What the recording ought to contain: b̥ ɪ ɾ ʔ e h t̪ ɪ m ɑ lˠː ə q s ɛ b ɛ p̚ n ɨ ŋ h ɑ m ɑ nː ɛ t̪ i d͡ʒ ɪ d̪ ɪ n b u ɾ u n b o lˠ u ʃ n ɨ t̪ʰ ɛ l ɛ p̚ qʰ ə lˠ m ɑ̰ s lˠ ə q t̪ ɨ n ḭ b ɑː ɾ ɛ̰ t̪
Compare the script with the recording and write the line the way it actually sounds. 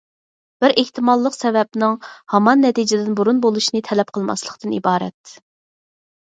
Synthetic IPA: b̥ ɪ ɾ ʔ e h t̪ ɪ m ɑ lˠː ə q s ɛ v ɛ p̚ n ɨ ŋ h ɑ m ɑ nː ɛ t̪ i d͡ʒ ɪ d̪ ɪ n b u ɾ u n b o lˠ u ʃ n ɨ t̪ʰ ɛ l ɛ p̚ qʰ ə lˠ m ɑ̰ s lˠ ə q t̪ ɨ n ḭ b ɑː ɾ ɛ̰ t̪